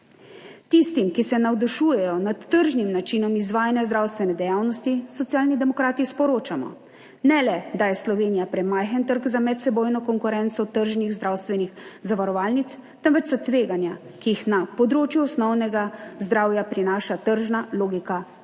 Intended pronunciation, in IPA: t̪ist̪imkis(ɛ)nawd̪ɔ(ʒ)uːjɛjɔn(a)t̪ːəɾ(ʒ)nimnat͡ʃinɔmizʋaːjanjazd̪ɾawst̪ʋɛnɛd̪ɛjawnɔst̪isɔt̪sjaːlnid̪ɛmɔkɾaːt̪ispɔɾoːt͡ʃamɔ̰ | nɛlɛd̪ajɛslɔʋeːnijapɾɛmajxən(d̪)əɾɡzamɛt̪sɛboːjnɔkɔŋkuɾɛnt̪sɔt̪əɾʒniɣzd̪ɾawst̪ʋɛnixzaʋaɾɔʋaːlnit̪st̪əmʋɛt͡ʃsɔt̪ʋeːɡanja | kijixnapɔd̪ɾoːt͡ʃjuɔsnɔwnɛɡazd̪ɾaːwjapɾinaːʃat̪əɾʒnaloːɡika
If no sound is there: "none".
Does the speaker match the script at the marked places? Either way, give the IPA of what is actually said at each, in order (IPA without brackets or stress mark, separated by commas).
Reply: ɛ, ʃ, a, ʒ, t̪